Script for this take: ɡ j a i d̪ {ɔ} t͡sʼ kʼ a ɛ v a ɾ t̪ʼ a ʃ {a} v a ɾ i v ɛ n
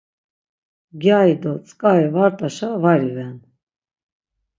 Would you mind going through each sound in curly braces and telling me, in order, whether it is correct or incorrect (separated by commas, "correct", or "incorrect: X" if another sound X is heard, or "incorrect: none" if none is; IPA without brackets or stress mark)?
correct, correct